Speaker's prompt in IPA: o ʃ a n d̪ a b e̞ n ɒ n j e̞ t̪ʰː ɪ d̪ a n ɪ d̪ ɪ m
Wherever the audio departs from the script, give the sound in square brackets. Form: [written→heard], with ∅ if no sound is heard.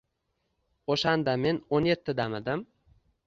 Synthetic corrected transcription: o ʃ a n d̪ a [b→m] e̞ n [ɒ→o] n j e̞ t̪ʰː ɪ d̪ a [n→m] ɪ d̪ ɪ m